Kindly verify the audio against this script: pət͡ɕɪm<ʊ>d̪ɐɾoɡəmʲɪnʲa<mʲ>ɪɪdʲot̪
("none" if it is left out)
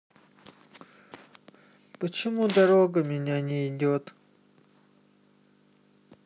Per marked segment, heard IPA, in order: u, nʲ

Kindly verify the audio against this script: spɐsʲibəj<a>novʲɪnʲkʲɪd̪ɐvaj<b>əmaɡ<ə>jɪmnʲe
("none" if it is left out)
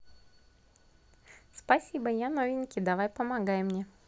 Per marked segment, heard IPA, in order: a, p, a

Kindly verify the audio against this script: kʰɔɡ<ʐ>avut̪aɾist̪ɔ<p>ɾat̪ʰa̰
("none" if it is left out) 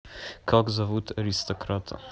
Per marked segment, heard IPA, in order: z, k

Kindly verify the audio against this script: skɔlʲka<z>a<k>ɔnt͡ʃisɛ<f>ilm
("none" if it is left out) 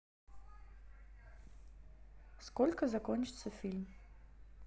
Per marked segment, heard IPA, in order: z, k, f

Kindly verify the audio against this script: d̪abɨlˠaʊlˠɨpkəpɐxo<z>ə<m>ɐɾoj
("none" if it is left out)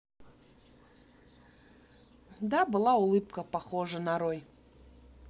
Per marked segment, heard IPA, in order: ʐ, n

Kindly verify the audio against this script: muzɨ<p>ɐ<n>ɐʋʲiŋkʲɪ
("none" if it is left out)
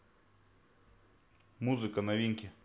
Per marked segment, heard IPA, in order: k, n

